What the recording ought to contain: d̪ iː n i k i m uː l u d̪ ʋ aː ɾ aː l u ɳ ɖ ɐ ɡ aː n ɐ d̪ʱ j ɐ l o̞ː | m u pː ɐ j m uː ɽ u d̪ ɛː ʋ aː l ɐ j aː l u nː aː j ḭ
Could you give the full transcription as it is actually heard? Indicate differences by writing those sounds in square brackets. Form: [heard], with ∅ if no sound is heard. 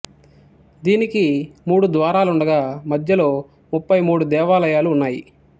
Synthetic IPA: d̪ iː n i k i m uː [ɽ] u d̪ ʋ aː ɾ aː l u ɳ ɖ ɐ ɡ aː [m] ɐ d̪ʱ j ɐ l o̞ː | m u pː ɐ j m uː ɽ u d̪ ɛː ʋ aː l ɐ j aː l [uː] nː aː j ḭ